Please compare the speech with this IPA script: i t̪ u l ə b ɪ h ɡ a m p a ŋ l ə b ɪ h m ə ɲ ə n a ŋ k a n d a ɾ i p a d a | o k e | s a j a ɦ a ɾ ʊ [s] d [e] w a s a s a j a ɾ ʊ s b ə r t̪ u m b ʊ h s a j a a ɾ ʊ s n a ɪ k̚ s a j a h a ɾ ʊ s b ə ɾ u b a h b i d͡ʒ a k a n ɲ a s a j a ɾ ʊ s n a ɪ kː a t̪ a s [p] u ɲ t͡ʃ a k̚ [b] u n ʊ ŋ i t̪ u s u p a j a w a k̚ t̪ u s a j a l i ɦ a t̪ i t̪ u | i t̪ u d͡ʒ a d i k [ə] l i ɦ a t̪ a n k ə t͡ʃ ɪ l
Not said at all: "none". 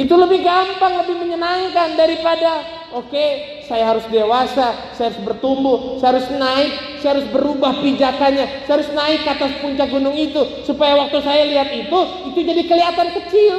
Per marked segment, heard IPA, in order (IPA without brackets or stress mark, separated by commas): s, e, p, ɡ, ə